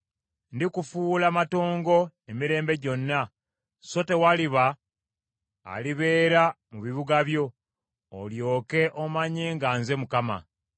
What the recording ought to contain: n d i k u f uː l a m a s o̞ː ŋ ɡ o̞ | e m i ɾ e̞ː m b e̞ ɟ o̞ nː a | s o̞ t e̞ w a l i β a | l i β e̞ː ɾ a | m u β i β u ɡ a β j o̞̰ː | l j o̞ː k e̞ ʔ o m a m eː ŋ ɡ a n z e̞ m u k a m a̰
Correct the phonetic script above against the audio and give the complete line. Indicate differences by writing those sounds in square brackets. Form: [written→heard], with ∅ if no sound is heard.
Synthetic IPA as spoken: n d i k u f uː l a m a [s→t] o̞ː ŋ ɡ o̞ | e m i ɾ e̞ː m b e̞ ɟ o̞ nː a | s o̞ t e̞ w a l i β a | l i β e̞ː ɾ a | m u β i β u ɡ a β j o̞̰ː | l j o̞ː k e̞ ʔ o m a [m→ɲ] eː ŋ ɡ a n z e̞ m u k a m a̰

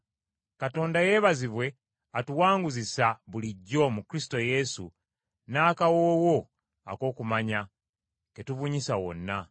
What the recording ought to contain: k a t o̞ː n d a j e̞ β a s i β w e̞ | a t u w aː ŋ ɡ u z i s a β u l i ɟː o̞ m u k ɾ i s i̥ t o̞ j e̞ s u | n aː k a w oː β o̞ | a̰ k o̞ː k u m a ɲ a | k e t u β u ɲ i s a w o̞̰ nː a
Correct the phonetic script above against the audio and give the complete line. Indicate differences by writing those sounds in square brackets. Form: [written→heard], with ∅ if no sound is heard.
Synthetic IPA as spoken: k a t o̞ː n d a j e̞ β a [s→z] i β w e̞ | a t u w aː ŋ ɡ u z i s a β u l i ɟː o̞ m u k ɾ i s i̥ t o̞ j e̞ s u | n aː k a w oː [β→w] o̞ | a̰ k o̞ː k u m a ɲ a | k e t u β u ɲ i s a w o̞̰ nː a

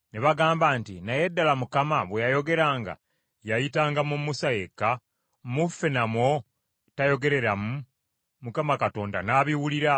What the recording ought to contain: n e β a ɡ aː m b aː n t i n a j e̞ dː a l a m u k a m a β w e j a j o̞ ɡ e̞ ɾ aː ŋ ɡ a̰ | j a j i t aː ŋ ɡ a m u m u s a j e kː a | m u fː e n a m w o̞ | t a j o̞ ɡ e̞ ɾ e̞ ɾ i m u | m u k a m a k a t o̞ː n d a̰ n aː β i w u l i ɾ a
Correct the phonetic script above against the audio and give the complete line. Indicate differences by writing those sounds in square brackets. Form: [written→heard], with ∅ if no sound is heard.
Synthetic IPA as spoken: n e β a ɡ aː m b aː n t i n a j e̞ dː a l a m u k a m a β w e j a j o̞ ɡ e̞ ɾ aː ŋ ɡ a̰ | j a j i t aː ŋ ɡ a m u m u s a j e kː a | m u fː e n a m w o̞ | t a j o̞ ɡ e̞ ɾ e̞ ɾ [i→a] m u | m u k a m a k a t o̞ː n d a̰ n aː β i w u l i ɾ a

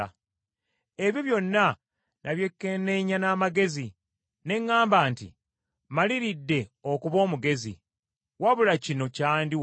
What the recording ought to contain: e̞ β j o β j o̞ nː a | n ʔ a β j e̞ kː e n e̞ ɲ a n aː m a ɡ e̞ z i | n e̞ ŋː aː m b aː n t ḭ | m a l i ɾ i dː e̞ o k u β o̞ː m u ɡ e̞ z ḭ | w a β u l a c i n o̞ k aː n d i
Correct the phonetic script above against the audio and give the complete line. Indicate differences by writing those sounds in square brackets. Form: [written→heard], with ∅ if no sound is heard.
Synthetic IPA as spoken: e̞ β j o β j o̞ nː a | n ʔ a β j e̞ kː e n e̞ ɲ a n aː m a ɡ e̞ z i | n e̞ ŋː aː m b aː n t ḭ | m a l i ɾ i dː e̞ o k u β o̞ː m u ɡ e̞ z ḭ | w a β u l a c i n o̞ [k→c] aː n d i

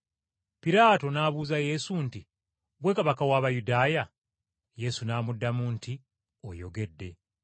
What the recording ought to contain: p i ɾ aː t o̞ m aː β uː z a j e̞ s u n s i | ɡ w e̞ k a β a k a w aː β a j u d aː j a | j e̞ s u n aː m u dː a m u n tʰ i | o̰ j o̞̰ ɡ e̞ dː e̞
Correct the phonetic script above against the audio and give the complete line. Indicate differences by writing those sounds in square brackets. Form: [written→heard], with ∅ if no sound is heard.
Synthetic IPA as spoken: p i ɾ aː t o̞ [m→n] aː β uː z a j e̞ s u n [s→t] i | ɡ w e̞ k a β a k a w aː β a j u d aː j a | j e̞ s u n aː m u dː a m u n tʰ i | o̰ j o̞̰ ɡ e̞ dː e̞

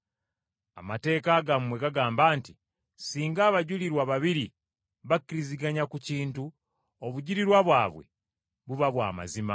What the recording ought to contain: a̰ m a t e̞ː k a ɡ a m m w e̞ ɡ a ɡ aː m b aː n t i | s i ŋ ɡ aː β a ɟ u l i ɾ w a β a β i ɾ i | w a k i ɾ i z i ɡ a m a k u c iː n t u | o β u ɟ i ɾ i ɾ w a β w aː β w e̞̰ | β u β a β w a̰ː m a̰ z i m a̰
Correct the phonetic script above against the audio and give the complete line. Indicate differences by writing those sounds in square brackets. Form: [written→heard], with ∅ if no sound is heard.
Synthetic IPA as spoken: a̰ m a t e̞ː k a ɡ a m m w e̞ ɡ a ɡ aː m b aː n t i | s [i→iː] ŋ ɡ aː β a ɟ u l i ɾ w a β a β i ɾ i | [w→β] a k i ɾ i z i ɡ a [m→ɲ] a k u c iː n t u | o β u ɟ i ɾ i ɾ w a β w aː β w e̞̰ | β u β a β w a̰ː m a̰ z i m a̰

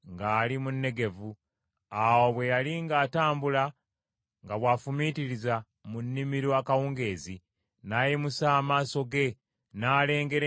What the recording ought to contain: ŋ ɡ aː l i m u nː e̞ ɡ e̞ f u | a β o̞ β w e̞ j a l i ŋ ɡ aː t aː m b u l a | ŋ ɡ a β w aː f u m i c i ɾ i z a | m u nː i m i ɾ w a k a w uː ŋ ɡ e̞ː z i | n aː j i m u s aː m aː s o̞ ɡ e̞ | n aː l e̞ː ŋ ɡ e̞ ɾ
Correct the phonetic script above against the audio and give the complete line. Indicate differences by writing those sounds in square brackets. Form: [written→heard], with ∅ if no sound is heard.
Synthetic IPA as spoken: ŋ ɡ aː l i m u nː e̞ ɡ e̞ [f→v] u | a [β→w] o̞ β w e̞ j a l i ŋ ɡ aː t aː m b u l a | ŋ ɡ a β w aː f u m i [c→t] i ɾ i z a | m u nː i m i ɾ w a k a w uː ŋ ɡ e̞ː z i | n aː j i m u s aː m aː s o̞ ɡ e̞ | n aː l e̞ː ŋ ɡ e̞ ɾ

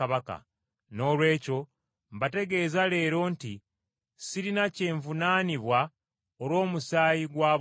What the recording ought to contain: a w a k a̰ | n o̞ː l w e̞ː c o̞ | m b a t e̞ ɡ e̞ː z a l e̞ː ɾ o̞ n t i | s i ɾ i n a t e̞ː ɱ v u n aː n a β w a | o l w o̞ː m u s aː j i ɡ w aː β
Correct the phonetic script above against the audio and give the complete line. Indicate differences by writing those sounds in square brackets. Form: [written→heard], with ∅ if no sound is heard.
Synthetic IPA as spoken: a [w→β] a k a̰ | n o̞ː l w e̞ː c o̞ | m b a t e̞ ɡ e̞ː z a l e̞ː ɾ o̞ n t i | s i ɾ i n a [t→c] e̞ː ɱ v u n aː n [a→i] β w a | o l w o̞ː m u s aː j i ɡ w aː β

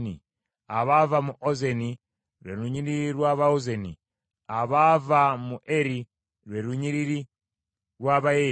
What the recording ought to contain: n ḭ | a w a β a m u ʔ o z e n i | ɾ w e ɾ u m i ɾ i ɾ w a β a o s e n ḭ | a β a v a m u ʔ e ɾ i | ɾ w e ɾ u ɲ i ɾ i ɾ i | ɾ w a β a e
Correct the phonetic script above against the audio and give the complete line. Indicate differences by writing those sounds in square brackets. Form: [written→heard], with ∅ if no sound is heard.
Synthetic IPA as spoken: n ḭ | a [w→β] a [β→v] a m u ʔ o z e n i | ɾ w e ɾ u [m→ɲ] i ɾ i ɾ w a β a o [s→z] e n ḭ | a β a v a m u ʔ e ɾ i | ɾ w e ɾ u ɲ i ɾ i ɾ i | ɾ w a β a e

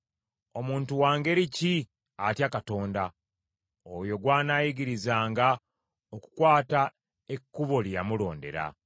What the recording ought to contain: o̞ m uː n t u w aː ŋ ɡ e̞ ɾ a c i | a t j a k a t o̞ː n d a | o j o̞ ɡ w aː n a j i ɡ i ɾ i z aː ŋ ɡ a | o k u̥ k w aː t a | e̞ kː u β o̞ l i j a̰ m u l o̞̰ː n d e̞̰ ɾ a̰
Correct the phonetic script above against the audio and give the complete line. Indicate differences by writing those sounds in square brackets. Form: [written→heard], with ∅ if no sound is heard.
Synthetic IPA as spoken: o̞ m uː n t u w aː ŋ ɡ e̞ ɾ [a→i] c i | a t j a k a t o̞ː n d a | o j o̞ ɡ w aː n a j i ɡ i ɾ i z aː ŋ ɡ a | o k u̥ k w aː t a | e̞ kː u β o̞ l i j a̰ m u l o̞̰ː n d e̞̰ ɾ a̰

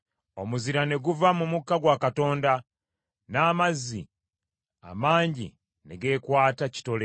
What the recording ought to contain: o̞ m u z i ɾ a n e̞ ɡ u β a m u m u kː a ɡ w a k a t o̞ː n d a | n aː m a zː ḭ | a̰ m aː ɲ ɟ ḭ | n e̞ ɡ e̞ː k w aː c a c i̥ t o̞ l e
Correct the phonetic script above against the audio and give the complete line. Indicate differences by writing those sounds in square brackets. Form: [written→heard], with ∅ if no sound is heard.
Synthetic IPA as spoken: o̞ m u z i ɾ a n e̞ ɡ u [β→v] a m u m u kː a ɡ w a k a t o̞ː n d a | n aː m a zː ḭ | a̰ m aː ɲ ɟ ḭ | n e̞ ɡ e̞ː k w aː [c→t] a c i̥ t o̞ l e

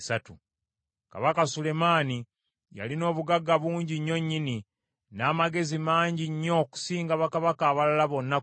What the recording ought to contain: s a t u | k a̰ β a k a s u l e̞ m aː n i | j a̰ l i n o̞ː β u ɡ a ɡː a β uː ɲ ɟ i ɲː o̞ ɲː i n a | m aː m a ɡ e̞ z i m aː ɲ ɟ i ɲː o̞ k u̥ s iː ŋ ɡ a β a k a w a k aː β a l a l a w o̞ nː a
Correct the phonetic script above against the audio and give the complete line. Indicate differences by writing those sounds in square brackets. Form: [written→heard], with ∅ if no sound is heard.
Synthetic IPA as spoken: s a t u | k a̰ β a k a s u l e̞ m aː n i | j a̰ l i n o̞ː β u ɡ a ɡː a β uː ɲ ɟ i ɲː o̞ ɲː i n [a→i] | [m→n] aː m a ɡ e̞ z i m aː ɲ ɟ i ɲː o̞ k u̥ s iː ŋ ɡ a β a k a [w→β] a k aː β a l a l a [w→β] o̞ nː a

